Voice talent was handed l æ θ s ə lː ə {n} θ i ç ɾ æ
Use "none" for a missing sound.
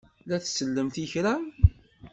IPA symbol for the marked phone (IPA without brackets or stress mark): m